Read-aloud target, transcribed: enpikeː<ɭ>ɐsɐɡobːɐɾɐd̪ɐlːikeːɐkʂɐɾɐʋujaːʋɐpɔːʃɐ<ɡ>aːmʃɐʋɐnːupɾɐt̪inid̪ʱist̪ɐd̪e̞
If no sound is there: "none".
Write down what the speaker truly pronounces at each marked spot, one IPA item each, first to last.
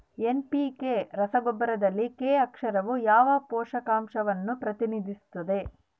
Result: ɾ, k

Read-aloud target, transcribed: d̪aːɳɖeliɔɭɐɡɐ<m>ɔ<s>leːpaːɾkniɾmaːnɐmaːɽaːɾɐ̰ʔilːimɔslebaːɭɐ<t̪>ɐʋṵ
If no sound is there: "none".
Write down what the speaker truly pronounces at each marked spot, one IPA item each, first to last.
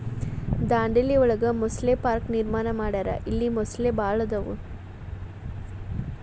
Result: m, s, d̪

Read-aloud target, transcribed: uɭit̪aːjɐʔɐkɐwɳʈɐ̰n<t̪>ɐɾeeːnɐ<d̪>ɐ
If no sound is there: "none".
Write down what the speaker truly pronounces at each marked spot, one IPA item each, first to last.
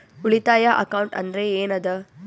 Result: d̪, d̪

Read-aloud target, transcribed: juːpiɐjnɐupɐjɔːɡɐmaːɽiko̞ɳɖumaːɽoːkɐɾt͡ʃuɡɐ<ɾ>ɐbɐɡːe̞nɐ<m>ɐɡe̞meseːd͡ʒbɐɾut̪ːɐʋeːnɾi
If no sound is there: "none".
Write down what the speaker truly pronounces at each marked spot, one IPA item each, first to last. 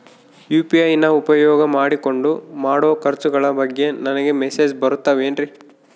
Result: ɭ, n

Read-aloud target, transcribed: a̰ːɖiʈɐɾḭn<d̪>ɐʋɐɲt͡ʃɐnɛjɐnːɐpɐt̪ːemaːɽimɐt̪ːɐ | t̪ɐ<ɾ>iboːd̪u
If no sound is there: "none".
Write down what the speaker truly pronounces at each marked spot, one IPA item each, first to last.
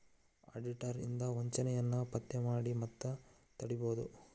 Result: d̪, ɽ

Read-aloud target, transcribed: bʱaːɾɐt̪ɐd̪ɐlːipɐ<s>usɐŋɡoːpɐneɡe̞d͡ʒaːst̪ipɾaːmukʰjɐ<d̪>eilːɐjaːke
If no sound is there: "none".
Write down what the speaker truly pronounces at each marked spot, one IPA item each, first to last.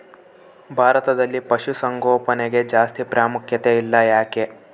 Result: ʃ, t̪

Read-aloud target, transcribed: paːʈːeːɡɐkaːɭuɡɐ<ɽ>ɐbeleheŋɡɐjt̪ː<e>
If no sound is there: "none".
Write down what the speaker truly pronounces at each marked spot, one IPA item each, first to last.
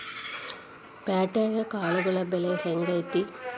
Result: ɭ, i

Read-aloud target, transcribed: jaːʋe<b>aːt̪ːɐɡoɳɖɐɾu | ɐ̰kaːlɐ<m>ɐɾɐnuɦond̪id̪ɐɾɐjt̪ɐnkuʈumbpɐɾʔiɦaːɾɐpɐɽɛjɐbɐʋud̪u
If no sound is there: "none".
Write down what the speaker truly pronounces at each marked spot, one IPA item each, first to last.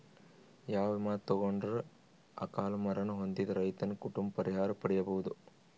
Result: m, m

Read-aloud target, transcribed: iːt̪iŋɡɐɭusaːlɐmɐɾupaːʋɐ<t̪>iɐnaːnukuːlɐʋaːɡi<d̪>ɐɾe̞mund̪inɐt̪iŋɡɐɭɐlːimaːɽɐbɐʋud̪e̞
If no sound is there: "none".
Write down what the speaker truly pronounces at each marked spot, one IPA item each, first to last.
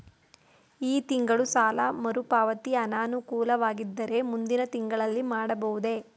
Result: t̪, d̪ː

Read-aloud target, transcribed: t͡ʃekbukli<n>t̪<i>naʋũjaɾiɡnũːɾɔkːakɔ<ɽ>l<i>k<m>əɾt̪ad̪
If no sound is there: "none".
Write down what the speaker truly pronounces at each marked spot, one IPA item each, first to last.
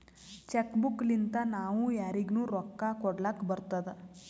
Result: n, a, ɽ, a, b

